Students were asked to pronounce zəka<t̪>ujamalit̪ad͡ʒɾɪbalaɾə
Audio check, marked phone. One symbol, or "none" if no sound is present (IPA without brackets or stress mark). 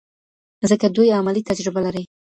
d̪